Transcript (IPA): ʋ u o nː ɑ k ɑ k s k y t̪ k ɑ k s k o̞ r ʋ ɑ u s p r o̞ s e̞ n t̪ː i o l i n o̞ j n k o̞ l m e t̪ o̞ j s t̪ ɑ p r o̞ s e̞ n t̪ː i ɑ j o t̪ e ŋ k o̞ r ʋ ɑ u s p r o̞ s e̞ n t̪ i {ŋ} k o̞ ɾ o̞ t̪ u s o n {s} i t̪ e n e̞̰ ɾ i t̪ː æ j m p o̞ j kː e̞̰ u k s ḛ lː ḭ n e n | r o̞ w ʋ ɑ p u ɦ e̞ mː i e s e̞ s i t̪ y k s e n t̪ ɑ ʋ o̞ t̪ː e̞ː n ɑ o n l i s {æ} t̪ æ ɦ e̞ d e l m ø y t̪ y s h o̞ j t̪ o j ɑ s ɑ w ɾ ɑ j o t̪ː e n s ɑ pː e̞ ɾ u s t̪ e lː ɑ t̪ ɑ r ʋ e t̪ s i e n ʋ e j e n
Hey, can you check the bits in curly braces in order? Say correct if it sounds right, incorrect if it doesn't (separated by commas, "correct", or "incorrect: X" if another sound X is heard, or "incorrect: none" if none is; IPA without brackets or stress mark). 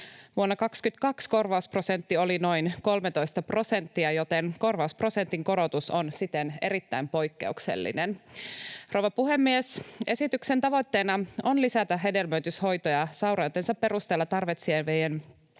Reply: correct, correct, correct